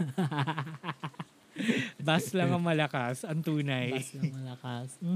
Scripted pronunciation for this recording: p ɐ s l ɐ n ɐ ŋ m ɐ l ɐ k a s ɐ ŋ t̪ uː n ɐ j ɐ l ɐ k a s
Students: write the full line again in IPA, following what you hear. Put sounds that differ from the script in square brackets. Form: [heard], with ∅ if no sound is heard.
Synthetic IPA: [b] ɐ s l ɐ [ŋ] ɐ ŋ m ɐ l ɐ k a s ɐ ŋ t̪ uː n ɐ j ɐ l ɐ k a s